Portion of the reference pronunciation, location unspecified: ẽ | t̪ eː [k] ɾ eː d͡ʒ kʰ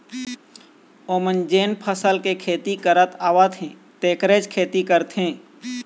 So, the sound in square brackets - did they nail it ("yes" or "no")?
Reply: yes